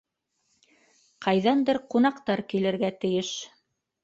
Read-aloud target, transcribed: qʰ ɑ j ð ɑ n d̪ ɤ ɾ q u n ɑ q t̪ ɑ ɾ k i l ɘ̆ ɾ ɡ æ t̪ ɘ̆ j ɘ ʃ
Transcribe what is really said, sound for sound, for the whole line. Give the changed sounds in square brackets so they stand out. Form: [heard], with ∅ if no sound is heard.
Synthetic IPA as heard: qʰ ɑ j ð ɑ n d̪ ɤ ɾ q u n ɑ q t̪ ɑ ɾ k i l ɘ̆ ɾ ɡ æ t̪ ɘ̆ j ɘ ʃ

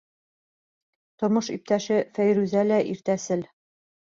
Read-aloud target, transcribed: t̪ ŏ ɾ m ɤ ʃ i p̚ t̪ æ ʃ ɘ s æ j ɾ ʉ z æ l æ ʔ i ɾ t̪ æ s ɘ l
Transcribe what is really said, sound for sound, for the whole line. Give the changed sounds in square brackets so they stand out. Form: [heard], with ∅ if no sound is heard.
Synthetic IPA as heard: t̪ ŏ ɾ m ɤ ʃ i p̚ t̪ æ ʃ ɘ [f] æ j ɾ ʉ z æ l æ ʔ i ɾ t̪ æ s ɘ l

